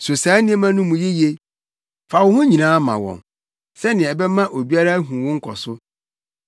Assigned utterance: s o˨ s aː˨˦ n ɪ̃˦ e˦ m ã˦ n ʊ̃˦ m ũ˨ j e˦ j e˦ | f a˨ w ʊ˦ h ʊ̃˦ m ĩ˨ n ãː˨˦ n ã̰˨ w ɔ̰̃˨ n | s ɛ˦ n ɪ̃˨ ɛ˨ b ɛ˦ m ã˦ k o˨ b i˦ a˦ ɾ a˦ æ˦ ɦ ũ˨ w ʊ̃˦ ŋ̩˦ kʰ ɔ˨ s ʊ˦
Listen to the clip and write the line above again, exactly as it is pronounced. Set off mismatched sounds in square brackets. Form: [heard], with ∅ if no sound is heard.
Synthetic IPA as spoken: s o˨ s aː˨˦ n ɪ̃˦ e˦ m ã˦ n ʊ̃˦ m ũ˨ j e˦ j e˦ | f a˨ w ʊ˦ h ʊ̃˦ [ɲ] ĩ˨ n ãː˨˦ [m] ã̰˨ w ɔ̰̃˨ n | s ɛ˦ n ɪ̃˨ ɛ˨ b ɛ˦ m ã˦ [ʔ] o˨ b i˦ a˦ ɾ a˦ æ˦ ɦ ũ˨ w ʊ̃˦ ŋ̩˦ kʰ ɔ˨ s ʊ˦